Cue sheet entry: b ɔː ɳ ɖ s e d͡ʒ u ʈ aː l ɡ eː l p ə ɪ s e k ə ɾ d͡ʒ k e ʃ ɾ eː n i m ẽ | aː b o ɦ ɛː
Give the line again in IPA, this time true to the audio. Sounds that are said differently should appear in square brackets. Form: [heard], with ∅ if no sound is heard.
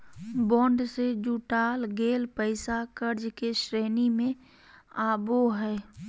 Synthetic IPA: b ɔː ɳ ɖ s e d͡ʒ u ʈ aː l ɡ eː l p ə ɪ s [a] k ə ɾ d͡ʒ k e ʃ ɾ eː n i m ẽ | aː b o ɦ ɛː